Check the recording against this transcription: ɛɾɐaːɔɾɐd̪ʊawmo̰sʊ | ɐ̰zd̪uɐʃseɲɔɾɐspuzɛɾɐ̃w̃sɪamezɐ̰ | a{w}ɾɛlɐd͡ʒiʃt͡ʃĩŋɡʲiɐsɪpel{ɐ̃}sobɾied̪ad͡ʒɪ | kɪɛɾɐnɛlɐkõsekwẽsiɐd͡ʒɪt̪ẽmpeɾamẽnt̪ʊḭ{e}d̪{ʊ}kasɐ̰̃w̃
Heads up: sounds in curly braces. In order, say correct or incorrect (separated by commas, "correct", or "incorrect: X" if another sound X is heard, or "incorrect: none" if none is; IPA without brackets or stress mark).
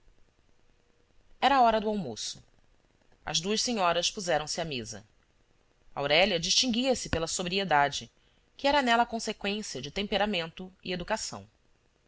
correct, incorrect: ɐ, correct, incorrect: u